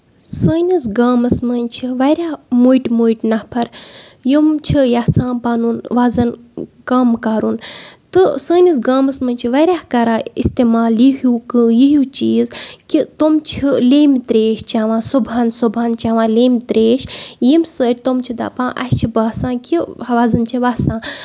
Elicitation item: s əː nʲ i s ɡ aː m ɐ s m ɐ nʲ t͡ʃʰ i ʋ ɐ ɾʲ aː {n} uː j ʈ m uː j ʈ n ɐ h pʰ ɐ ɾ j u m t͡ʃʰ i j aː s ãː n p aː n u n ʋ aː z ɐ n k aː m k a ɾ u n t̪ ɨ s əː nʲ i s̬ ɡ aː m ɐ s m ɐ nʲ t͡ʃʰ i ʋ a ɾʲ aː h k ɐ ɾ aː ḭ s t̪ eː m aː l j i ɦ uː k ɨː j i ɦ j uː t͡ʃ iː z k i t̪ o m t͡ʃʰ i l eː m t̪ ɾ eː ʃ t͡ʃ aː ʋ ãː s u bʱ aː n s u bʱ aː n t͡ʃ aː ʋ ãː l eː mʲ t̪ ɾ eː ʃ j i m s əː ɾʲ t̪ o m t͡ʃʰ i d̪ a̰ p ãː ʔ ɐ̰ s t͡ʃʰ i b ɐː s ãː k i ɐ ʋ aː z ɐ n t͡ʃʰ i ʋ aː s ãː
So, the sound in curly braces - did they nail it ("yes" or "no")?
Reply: no